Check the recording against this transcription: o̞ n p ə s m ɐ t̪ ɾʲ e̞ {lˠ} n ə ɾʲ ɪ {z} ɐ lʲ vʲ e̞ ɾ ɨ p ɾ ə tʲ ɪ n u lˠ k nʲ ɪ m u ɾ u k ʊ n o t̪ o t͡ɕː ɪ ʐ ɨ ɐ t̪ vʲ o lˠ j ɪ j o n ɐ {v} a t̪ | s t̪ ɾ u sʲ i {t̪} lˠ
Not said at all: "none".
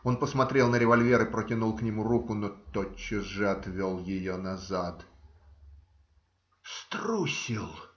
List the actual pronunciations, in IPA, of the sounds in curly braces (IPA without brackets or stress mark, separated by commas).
lˠ, v, z, none